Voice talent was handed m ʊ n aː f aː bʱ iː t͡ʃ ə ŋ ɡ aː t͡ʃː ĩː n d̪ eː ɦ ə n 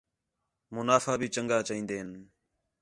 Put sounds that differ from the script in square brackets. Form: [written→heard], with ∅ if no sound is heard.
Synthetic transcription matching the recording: m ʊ n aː f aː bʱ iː t͡ʃ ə ŋ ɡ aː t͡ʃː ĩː n d̪ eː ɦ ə n